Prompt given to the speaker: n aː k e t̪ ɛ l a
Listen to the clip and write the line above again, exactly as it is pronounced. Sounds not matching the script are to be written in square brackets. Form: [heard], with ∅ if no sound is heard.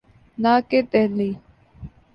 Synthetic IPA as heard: n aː k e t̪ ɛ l [i]